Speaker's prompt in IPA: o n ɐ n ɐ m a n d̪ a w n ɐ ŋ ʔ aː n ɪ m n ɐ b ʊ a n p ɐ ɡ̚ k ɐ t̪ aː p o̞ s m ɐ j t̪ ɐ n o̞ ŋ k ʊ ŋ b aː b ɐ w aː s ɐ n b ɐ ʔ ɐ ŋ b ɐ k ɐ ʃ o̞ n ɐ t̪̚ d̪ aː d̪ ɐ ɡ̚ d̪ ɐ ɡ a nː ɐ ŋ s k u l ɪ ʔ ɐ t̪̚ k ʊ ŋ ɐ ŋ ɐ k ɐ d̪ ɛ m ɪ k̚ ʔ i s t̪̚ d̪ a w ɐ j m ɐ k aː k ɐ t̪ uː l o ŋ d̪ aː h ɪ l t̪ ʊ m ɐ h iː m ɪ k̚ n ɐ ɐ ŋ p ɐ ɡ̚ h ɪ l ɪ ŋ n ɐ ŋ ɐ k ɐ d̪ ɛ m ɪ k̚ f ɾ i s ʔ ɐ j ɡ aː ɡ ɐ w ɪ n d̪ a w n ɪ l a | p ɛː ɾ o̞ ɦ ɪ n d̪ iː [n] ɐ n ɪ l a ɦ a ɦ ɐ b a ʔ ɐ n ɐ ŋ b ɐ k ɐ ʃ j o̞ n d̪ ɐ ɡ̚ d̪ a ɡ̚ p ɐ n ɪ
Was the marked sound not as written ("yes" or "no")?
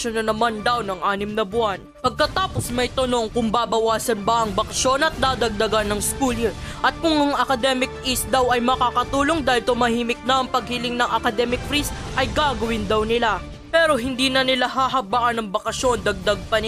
no